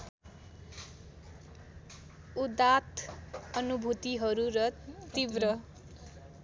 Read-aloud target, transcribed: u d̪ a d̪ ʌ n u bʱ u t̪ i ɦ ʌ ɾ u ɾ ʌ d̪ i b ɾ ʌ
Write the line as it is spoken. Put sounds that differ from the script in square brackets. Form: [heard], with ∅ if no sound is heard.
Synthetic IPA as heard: u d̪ a [t̪] ʌ n u bʱ u t̪ i ɦ ʌ ɾ u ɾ ʌ [t̪] i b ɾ ʌ